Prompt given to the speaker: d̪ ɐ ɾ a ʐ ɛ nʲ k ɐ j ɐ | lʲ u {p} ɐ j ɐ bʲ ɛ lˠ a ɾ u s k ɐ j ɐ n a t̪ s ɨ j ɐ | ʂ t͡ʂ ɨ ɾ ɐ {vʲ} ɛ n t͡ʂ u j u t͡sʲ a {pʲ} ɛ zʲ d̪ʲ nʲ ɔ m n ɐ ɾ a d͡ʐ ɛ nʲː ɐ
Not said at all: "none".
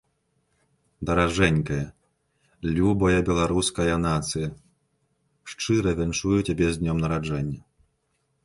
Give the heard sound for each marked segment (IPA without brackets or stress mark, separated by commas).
b, vʲ, bʲ